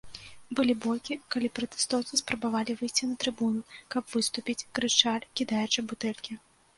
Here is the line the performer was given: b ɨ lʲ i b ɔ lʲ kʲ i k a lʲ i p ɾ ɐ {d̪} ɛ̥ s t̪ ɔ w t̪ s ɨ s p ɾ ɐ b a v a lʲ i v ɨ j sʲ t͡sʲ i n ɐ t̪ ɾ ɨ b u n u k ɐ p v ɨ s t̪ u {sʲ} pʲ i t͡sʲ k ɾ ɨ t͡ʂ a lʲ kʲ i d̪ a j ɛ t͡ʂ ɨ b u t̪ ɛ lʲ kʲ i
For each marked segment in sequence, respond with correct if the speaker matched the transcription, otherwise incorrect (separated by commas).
incorrect, incorrect